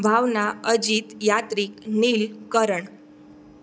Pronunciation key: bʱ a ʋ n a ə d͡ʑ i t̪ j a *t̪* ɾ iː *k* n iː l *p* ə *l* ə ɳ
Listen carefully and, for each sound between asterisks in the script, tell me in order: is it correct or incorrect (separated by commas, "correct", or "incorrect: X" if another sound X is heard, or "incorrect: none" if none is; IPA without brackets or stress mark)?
correct, correct, incorrect: k, incorrect: ɾ